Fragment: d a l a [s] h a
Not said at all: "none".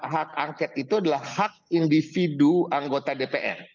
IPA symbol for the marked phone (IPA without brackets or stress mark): h